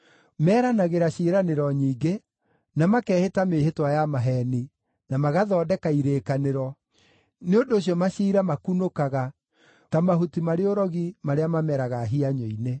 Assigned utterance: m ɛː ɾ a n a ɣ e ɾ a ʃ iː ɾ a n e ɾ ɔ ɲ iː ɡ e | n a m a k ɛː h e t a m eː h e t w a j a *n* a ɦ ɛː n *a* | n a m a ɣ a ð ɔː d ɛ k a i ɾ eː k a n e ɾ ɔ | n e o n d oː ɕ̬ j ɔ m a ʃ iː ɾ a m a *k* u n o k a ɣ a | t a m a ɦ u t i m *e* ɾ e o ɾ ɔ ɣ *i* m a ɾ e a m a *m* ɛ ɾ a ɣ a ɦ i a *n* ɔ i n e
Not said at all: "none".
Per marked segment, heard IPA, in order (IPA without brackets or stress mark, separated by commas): m, i, k, a, i, m, ɲ